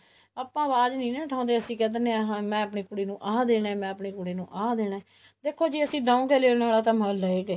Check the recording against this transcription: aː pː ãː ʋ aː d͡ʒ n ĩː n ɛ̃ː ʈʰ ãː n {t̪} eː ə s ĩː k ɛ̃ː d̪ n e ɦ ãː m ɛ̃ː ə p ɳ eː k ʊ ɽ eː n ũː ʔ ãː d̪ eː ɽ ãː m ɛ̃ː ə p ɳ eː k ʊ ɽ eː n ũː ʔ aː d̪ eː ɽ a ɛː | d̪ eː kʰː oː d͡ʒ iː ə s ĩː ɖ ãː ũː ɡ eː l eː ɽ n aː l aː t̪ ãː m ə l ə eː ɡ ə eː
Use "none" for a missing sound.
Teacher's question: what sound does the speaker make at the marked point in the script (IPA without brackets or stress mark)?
d̪